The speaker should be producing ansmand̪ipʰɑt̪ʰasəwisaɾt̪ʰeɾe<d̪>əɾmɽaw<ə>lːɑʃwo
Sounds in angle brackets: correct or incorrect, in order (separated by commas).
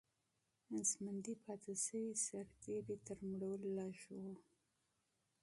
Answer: incorrect, correct